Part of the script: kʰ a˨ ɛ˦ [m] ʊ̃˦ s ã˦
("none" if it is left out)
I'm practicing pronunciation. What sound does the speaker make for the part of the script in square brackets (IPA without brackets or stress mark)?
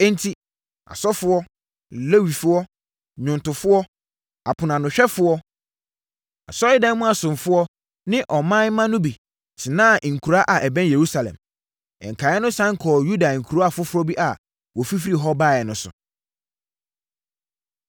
n